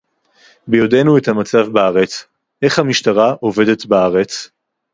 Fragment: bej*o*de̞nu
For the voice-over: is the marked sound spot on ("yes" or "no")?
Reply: yes